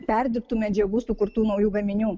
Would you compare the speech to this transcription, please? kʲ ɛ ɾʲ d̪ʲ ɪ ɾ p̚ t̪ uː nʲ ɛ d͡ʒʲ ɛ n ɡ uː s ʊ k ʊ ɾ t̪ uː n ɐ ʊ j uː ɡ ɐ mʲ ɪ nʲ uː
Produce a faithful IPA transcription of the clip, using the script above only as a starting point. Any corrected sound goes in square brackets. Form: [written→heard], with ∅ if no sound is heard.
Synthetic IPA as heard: [kʲ→pʲ] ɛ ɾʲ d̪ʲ ɪ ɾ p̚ t̪ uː [nʲ→mʲ] ɛ d͡ʒʲ ɛ [n→∅] ɡ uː s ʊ k ʊ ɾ t̪ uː n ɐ ʊ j uː ɡ ɐ mʲ ɪ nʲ uː